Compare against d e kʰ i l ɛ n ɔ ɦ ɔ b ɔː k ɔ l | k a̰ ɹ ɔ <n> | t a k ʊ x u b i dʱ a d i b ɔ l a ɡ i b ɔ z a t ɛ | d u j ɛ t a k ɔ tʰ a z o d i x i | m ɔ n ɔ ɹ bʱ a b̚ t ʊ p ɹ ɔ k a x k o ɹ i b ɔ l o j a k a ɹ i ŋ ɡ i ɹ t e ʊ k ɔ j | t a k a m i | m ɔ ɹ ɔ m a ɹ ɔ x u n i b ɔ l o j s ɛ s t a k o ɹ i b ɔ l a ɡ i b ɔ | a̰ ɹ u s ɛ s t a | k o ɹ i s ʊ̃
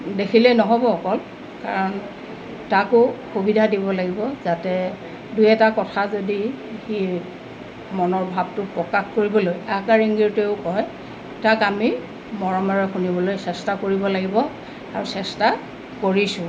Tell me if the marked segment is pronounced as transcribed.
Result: yes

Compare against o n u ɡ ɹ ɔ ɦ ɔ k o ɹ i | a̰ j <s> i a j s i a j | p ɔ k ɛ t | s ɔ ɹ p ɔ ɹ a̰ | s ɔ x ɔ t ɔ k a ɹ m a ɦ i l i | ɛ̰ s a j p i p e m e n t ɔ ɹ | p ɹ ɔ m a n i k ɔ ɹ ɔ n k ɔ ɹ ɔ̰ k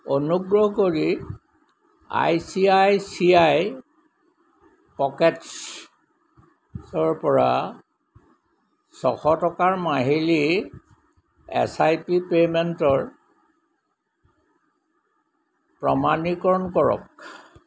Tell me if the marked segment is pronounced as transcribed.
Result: yes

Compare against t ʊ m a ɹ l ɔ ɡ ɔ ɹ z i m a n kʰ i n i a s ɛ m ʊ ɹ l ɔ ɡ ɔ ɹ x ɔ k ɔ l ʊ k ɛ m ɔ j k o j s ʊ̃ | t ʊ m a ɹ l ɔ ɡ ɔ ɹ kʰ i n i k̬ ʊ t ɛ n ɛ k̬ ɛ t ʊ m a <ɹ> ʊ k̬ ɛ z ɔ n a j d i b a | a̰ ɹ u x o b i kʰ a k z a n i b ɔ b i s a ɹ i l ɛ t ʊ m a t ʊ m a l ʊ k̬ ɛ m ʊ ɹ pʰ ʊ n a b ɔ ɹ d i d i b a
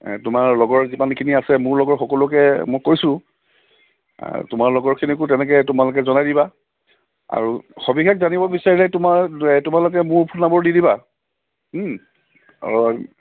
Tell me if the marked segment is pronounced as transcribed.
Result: no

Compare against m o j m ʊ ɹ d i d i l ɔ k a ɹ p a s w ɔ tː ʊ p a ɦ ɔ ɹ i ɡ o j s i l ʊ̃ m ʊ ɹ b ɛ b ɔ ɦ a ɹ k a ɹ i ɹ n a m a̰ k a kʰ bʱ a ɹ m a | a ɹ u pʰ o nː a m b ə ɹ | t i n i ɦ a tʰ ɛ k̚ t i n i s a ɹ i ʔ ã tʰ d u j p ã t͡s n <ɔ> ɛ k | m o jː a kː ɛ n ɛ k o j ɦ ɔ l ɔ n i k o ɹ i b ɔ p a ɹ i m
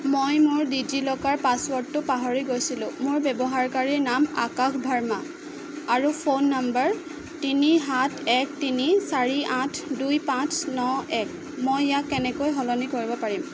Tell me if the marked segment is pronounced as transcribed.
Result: yes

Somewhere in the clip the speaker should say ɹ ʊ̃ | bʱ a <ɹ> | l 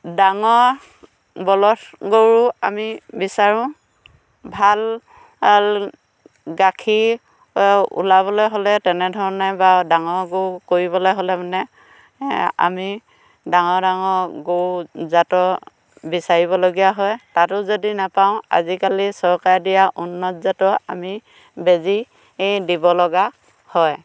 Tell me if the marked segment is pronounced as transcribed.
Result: no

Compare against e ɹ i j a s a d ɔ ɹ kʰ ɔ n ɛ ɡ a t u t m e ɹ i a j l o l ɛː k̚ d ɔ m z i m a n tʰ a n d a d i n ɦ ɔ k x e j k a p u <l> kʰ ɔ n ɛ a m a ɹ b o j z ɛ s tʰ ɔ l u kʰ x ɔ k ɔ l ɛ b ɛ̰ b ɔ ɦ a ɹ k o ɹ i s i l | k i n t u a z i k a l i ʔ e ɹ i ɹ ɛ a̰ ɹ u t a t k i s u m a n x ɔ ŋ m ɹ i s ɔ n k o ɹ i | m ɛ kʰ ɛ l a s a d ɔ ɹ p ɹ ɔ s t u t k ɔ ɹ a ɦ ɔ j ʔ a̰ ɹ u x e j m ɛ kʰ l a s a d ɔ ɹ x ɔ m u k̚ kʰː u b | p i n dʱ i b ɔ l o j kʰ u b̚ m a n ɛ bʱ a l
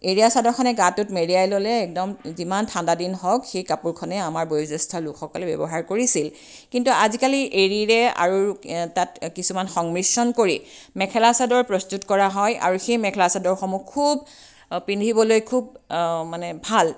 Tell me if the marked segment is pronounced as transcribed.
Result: no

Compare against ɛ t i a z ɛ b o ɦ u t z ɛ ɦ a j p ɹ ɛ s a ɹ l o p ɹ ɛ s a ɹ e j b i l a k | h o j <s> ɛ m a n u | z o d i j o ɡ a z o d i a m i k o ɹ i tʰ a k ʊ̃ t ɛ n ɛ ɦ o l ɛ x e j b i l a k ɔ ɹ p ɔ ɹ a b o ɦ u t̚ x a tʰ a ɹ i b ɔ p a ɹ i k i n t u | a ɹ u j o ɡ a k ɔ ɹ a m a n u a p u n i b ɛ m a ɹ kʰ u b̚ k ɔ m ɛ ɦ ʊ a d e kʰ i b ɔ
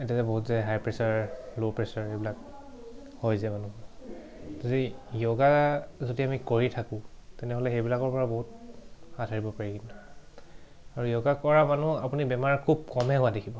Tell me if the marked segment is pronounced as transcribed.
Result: no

